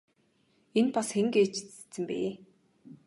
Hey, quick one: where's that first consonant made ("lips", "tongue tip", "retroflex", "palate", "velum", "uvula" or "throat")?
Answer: tongue tip